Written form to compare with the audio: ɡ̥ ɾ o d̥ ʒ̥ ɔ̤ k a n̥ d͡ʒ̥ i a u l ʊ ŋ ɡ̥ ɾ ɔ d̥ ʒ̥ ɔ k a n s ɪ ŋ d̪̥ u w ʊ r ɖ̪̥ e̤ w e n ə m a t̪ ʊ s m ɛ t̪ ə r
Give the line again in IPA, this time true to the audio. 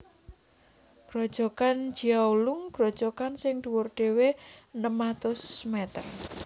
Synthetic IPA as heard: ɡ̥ ɾ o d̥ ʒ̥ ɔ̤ k a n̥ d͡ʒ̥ i a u l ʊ ŋ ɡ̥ ɾ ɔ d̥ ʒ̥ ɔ k a n s ɪ ŋ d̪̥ u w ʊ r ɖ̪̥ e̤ w e n ə m a t̪ ʊ s m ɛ t̪ ə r

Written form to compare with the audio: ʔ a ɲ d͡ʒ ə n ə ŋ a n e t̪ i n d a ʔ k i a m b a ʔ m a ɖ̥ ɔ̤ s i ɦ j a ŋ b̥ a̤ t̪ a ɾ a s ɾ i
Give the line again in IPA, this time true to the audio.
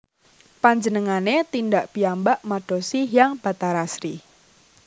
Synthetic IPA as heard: p a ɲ d͡ʒ ə n ə ŋ a n e t̪ i n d a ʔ p i a m b a ʔ m a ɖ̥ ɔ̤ s i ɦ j a ŋ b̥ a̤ t̪ a ɾ a s ɾ i

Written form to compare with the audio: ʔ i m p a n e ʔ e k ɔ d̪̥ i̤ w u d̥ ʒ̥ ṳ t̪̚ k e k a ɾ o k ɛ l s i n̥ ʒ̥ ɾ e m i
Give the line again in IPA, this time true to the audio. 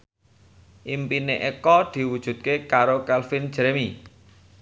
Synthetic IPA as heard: ʔ i m p i n e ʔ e k ɔ d̪̥ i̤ w u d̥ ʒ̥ ṳ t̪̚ k e k a ɾ o k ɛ l f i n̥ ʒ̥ ɾ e m i

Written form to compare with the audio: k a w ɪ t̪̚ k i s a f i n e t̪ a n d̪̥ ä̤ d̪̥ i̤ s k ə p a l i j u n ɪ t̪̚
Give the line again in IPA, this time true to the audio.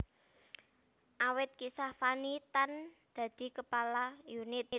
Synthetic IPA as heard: ʔ a w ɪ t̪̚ k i s a f a n i t̪ a n d̪̥ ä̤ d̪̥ i̤ k ə p a l a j u n ɪ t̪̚

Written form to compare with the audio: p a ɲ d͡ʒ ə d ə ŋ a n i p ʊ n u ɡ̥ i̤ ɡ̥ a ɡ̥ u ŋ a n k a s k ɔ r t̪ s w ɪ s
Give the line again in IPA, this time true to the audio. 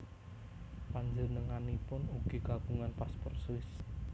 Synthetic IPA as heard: p a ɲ d͡ʒ ə n ə ŋ a n i p ʊ n u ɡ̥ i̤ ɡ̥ a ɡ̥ u ŋ a n p a s p ɔ r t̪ s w ɪ s

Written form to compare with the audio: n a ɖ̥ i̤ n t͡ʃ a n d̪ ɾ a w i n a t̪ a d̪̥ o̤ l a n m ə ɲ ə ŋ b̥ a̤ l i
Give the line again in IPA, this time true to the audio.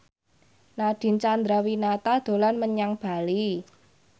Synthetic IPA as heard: n a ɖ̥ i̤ n t͡ʃ a n d̪ ɾ a w i n a t̪ a d̪̥ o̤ l a n m ə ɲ a ŋ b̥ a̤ l i

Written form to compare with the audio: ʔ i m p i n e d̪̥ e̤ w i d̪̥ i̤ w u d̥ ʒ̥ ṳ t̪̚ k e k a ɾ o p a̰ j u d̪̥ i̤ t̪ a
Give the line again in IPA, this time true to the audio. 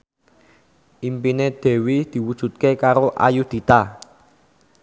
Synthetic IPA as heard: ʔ i m p i n e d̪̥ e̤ w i d̪̥ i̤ w u d̥ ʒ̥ ṳ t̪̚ k e k a ɾ o ʔ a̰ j u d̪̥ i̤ t̪ a

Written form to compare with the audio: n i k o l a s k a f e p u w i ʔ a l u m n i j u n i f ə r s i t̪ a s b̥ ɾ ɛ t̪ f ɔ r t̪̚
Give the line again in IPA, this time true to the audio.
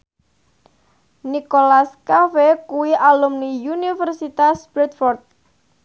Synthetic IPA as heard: n i k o l a s k a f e k u w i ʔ a l u m n i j u n i f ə r s i t̪ a s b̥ ɾ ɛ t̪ f ɔ r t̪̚

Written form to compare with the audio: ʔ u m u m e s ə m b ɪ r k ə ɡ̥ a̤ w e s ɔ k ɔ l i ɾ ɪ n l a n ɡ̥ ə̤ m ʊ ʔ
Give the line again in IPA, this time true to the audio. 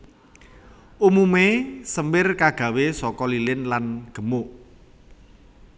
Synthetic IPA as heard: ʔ u m u m e s ə m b ɪ r k a ɡ̥ a̤ w e s ɔ k ɔ l i l ɪ n l a n ɡ̥ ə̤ m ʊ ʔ

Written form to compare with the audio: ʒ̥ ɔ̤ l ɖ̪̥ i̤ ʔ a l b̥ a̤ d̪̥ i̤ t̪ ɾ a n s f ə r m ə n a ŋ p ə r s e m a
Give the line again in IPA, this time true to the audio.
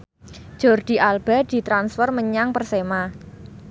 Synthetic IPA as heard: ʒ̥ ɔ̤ r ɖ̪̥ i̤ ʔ a l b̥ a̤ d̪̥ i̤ t̪ ɾ a n s f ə r m ə ɲ a ŋ p ə r s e m a

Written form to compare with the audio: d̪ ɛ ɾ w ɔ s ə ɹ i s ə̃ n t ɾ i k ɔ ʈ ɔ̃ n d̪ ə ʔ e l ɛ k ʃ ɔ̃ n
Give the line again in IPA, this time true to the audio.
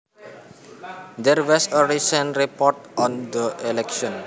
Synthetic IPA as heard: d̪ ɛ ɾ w ɔ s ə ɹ i s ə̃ n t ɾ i p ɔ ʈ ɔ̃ n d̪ ə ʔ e l ɛ k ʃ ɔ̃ n

